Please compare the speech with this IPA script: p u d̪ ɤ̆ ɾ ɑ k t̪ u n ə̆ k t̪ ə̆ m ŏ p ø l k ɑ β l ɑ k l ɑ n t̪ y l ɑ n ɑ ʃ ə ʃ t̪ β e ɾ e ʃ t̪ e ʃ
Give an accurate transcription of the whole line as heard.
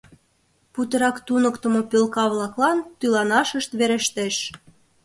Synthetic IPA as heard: p u t̪ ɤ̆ ɾ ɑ k t̪ u n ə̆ k t̪ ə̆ m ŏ p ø l k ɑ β l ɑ k l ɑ n t̪ y l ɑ n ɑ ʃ ə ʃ t̪ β e ɾ e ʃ t̪ e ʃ